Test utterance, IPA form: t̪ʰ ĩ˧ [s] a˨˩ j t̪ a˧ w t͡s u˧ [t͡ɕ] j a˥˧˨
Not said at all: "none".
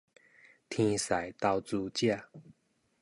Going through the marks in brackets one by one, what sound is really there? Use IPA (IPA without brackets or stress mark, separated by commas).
s, t͡ɕ